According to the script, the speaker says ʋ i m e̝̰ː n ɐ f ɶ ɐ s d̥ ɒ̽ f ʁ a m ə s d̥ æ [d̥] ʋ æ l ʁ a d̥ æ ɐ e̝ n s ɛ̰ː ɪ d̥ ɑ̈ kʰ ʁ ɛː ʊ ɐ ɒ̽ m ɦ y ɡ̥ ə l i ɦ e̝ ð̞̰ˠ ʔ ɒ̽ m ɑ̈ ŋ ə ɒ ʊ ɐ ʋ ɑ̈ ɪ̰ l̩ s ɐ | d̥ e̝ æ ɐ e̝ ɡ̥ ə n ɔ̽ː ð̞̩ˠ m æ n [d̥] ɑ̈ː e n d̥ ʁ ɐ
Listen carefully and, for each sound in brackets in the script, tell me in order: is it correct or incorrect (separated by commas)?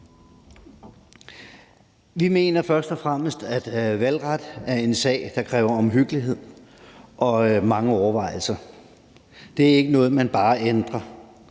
correct, incorrect